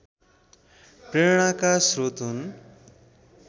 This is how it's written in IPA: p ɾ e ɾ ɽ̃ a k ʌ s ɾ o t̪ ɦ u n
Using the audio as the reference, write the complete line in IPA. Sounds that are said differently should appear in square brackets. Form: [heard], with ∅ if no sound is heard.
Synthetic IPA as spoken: p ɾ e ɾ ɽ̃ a k [a] s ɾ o t̪ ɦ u n